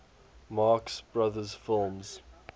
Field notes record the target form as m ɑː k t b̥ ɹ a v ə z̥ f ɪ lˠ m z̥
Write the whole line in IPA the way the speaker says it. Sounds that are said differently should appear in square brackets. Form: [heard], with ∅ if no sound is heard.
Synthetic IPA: m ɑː k [s] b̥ ɹ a [ð] ə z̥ f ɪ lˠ m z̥